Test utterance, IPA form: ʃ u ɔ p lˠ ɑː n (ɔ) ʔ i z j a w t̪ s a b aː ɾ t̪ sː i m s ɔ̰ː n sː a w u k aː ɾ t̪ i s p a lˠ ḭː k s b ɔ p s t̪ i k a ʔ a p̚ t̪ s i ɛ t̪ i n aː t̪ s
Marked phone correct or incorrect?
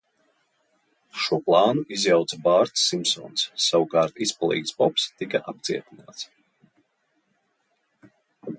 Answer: incorrect